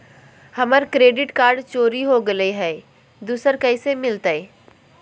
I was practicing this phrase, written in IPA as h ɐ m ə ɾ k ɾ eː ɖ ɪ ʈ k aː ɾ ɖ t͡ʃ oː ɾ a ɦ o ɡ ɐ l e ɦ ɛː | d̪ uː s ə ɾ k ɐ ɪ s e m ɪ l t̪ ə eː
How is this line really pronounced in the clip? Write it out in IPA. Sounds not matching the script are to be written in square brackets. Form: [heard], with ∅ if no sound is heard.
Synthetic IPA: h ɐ m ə ɾ k ɾ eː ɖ ɪ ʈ k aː ɾ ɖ t͡ʃ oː ɾ [i] ɦ o ɡ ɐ l e ɦ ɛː | d̪ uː s ə ɾ k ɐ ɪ s e m ɪ l t̪ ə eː